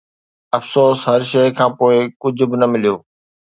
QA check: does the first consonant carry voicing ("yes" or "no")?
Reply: no